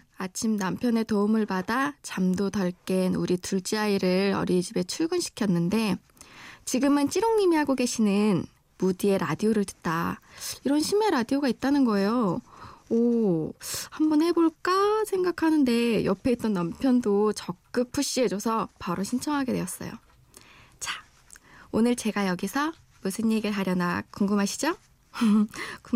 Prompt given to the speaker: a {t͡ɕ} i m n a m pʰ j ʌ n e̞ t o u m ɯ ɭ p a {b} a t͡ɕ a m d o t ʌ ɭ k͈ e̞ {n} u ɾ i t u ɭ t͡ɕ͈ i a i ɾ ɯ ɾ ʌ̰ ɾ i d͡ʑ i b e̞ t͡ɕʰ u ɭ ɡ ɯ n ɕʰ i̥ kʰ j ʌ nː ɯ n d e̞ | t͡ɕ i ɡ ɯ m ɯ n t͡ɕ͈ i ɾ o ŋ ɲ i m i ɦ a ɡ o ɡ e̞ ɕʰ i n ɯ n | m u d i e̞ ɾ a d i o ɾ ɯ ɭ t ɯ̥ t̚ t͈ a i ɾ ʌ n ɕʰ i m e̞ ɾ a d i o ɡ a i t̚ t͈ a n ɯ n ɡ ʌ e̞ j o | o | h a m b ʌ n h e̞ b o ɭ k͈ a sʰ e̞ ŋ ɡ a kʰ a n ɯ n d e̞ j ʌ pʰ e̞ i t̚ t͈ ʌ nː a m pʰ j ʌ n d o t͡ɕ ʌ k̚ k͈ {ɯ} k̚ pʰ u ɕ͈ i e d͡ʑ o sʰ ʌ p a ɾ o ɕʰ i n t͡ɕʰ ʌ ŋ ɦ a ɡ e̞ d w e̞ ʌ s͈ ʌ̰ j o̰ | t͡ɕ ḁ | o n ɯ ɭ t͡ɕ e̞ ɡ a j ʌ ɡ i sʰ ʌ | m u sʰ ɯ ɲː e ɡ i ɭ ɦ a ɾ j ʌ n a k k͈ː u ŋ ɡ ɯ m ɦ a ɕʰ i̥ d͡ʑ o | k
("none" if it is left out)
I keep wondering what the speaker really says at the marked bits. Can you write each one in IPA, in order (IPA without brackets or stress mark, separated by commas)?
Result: t͡ɕʰ, d, n, ɯ